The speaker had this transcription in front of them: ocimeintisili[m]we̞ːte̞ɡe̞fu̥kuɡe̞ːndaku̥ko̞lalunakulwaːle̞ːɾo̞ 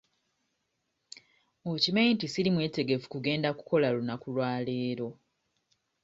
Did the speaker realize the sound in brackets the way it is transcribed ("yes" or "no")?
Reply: yes